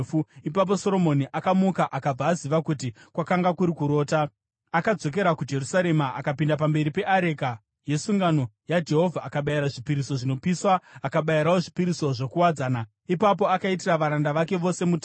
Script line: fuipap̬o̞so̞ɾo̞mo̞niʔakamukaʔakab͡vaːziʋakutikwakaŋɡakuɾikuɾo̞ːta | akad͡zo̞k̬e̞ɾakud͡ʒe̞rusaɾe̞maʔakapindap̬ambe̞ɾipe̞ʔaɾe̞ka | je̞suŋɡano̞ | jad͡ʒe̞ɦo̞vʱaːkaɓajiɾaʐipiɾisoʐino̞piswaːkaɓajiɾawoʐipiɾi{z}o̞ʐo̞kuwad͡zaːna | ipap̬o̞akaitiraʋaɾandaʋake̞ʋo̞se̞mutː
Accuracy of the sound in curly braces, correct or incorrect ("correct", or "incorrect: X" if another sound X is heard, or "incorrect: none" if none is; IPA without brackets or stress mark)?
incorrect: s